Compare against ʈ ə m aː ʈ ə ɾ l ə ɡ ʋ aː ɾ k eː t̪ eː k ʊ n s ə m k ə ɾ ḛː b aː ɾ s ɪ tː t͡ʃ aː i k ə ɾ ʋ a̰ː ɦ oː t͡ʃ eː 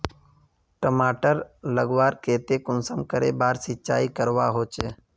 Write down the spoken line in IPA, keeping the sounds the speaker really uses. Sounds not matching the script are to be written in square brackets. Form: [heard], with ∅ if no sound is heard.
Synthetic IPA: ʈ ə m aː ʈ ə ɾ l ə ɡ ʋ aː ɾ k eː t̪ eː k ʊ n s ə m k ə ɾ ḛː b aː ɾ s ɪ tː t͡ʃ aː i k ə ɾ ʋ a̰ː ɦ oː t͡ʃ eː